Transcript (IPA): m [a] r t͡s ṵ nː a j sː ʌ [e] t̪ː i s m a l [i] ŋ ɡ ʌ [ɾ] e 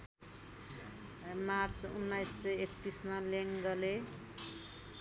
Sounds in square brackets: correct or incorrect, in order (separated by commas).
correct, correct, incorrect, incorrect